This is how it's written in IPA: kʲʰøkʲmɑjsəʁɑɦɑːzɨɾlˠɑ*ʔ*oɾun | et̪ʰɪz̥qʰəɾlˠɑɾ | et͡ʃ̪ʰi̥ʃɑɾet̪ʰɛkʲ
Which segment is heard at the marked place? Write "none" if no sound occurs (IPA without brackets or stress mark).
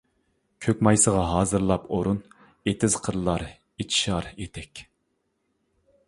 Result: p